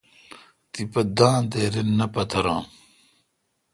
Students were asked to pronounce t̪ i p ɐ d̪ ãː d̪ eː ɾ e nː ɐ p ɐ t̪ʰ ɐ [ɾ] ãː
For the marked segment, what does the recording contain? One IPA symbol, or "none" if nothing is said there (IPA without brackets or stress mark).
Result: ɾ